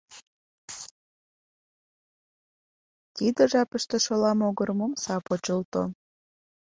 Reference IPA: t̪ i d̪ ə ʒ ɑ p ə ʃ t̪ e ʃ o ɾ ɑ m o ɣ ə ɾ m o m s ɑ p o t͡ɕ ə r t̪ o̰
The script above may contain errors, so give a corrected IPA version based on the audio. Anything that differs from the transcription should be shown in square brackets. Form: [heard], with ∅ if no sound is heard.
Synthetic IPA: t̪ i d̪ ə ʒ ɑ p ə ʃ t̪ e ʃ o [l] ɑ m o ɣ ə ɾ m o m s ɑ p o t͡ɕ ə [l] t̪ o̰